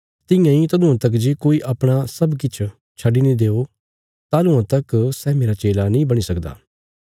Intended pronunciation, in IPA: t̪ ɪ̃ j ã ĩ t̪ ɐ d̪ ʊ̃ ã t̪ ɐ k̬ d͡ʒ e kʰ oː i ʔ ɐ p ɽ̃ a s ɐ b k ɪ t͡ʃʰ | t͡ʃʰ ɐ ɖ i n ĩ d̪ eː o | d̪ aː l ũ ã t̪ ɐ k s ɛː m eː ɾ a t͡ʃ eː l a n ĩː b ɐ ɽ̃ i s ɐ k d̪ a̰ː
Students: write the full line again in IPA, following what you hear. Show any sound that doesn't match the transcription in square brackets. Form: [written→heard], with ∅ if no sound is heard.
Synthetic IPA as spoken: t̪ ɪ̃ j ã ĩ t̪ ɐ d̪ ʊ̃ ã t̪ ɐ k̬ d͡ʒ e [kʰ→k] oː i ʔ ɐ p ɽ̃ a s ɐ b k ɪ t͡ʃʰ | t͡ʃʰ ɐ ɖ i n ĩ d̪ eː o | [d̪→t̪] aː l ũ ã t̪ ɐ k s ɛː m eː ɾ a t͡ʃ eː l a n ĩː b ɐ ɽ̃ i s ɐ k d̪ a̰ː